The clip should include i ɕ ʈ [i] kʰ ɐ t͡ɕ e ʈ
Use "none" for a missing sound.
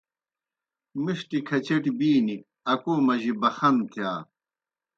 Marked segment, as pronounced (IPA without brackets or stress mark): i